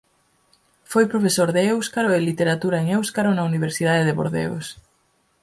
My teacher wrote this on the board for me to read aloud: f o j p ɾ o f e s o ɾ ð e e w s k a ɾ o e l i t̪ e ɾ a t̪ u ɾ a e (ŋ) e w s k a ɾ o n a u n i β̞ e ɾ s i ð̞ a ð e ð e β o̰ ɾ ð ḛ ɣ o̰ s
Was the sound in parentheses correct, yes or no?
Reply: yes